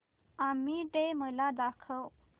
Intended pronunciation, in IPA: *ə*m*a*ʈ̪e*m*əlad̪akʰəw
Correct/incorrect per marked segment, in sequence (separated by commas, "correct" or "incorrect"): incorrect, incorrect, correct